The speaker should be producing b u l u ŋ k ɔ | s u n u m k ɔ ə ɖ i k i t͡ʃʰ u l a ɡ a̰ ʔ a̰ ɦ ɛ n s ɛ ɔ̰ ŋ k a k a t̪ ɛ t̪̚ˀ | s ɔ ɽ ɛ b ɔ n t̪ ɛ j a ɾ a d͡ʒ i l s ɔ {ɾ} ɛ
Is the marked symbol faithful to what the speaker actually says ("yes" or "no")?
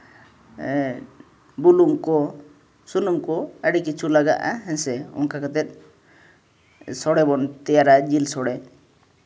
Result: no